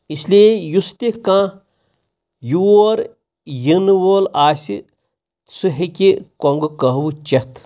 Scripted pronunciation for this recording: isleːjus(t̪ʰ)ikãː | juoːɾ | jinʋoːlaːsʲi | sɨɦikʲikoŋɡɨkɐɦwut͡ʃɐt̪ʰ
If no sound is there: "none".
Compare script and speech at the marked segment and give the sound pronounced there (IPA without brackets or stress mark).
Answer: t̪